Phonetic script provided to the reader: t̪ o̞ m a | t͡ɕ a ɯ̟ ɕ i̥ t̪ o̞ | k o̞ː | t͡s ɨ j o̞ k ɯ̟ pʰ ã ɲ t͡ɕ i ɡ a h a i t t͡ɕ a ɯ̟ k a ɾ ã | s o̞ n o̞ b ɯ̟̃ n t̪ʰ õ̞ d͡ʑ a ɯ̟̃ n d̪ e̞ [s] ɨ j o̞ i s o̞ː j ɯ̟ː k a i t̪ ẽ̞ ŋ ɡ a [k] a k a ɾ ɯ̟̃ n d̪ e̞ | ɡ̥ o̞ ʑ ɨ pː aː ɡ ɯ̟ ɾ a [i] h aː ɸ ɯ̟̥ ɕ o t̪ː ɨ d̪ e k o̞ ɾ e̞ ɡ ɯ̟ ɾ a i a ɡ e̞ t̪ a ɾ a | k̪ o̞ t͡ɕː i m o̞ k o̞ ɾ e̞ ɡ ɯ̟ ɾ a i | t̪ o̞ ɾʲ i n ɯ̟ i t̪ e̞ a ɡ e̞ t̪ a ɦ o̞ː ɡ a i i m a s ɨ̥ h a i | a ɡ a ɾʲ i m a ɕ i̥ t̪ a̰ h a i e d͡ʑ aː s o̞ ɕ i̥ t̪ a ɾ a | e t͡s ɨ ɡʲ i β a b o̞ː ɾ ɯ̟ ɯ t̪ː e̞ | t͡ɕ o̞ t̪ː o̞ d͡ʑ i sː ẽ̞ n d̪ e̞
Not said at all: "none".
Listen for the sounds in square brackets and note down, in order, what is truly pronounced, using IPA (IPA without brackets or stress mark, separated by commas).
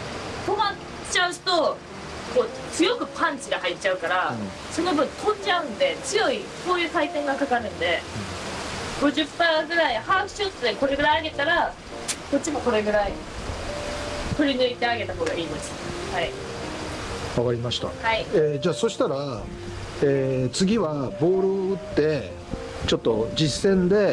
t͡s, k, i